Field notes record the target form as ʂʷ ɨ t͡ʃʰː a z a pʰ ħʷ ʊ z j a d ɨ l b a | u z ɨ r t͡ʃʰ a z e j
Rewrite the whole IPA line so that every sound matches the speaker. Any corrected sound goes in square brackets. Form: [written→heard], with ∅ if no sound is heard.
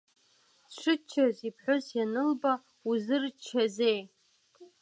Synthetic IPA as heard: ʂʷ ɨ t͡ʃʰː a z [a→i] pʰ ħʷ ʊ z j a [d→n] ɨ l b a | u z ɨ r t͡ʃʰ a z e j

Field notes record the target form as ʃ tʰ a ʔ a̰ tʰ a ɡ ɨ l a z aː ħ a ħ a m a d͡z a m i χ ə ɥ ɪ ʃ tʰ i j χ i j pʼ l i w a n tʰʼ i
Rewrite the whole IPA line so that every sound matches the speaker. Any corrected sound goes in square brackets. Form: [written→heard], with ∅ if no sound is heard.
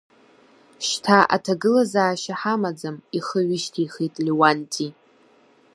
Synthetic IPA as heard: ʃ tʰ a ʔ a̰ tʰ a ɡ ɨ l a z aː [ħ→ʃ] a ħ a m a d͡z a m i χ ə ɥ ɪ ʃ tʰ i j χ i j [pʼ→tʼ] l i w a n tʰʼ i

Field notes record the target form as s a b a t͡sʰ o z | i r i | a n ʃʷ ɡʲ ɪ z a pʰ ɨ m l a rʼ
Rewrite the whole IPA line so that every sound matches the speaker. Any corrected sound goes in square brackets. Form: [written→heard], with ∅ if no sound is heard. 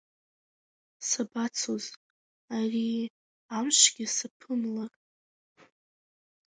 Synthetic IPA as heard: s a b a t͡sʰ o z | [i→a] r i | a [n→m] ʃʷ ɡʲ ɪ [z→s] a pʰ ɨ m l a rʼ

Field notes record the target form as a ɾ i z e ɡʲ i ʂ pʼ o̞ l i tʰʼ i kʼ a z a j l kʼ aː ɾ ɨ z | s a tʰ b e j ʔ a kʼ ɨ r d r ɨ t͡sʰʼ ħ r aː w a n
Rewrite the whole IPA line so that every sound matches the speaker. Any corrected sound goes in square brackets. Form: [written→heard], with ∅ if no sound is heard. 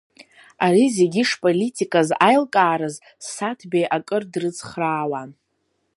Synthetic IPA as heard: a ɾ i z e ɡʲ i ʂ pʼ o̞ l i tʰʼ i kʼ a z a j l kʼ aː ɾ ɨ z | s a tʰ b e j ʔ a kʼ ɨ r d r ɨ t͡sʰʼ [ħ→χ] r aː w a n

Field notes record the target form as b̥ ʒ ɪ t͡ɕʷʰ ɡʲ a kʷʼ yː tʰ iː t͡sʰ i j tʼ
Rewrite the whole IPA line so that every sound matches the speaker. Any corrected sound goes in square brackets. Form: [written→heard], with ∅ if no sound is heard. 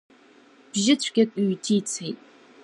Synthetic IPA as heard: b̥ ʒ ɪ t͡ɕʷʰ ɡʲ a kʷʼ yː tʰ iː t͡sʰ [i→e] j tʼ

